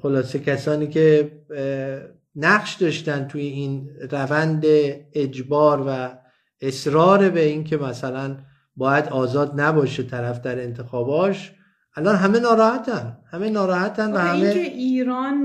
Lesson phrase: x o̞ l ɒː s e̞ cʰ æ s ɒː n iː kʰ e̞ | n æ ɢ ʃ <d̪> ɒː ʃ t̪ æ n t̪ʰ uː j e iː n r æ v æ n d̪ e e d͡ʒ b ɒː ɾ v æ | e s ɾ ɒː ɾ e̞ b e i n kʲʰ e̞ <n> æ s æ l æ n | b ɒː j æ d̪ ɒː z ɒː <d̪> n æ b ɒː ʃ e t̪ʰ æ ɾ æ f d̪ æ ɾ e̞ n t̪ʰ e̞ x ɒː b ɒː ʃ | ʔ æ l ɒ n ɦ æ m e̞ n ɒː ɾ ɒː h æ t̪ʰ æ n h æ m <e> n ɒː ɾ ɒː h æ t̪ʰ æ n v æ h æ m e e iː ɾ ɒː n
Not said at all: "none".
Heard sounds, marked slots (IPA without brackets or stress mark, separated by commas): d̪, m, d̪, e